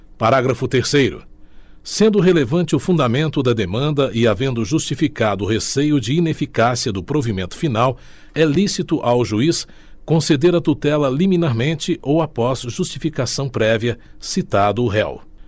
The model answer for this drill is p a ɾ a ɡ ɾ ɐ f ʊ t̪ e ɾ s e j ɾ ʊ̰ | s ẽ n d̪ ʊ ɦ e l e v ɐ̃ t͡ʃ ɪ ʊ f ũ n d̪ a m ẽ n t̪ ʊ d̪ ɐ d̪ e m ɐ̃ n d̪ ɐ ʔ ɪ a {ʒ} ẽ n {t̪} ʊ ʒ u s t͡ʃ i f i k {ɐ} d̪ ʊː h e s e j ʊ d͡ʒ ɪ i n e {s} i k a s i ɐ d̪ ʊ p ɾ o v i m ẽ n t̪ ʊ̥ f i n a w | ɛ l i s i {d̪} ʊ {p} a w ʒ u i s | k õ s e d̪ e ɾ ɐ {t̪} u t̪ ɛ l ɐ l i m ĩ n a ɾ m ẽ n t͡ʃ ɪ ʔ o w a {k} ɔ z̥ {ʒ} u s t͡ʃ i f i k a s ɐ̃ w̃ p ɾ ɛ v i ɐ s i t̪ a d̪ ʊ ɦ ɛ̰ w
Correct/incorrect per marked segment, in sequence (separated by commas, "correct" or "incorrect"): incorrect, incorrect, incorrect, incorrect, incorrect, incorrect, correct, incorrect, correct